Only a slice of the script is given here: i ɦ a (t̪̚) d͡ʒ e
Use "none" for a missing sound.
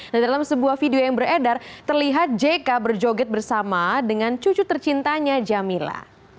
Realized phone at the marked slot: t̪̚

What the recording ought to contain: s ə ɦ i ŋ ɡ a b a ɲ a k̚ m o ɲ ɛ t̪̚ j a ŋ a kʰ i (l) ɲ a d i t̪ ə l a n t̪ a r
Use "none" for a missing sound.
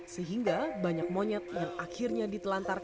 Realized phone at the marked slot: r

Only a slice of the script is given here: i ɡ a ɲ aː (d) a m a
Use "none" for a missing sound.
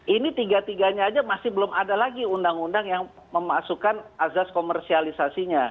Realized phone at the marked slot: d͡ʒ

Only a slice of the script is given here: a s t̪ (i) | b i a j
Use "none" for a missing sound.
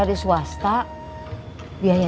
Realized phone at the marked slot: a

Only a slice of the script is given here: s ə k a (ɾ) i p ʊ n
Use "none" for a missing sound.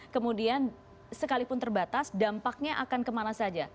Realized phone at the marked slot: l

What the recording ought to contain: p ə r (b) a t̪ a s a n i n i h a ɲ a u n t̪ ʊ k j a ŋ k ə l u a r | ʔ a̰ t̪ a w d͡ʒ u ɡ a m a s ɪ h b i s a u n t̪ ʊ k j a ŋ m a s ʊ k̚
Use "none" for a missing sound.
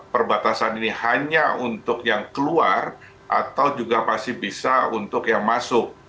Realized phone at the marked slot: b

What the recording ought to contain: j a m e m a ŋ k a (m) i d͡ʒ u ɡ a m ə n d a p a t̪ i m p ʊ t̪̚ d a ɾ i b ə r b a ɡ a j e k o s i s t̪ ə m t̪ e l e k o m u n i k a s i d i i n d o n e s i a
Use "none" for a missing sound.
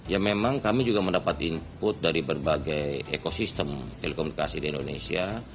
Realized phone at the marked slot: m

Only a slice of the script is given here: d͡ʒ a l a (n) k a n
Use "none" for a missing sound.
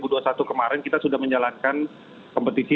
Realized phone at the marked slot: n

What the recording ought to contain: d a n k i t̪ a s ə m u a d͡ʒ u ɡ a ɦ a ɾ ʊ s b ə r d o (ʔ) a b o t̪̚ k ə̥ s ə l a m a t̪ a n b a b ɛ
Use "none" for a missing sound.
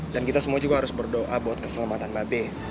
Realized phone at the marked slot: ʔ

